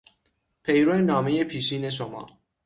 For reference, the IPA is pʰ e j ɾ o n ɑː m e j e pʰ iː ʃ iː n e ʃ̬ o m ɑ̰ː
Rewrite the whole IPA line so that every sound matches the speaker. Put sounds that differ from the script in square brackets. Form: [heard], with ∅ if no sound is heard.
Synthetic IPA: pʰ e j ɾ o n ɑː m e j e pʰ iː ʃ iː n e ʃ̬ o m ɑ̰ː